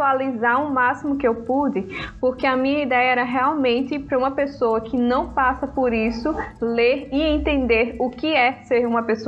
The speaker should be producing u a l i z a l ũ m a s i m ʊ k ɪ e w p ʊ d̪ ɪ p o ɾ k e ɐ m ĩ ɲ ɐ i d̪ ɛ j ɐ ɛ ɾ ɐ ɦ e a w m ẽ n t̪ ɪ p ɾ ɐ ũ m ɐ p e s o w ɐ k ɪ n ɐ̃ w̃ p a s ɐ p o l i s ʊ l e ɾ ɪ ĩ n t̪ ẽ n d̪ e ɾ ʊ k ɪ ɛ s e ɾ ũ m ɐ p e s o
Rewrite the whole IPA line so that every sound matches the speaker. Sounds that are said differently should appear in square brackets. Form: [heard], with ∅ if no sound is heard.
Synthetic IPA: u a l i z a [ɾ] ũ m a s i m ʊ k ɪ e w p [u] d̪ ɪ p o ɾ k e ɐ m ĩ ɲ ɐ i d̪ ɛ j ɐ ɛ ɾ ɐ ɦ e a w m ẽ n t̪ ɪ p ɾ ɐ ũ m ɐ p e s o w ɐ k ɪ n ɐ̃ w̃ p a s ɐ p o [ɾ] i s ʊ l e ɾ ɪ [ẽ] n t̪ ẽ n d̪ e ɾ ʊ k ɪ ɛ s e ɾ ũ m ɐ p e s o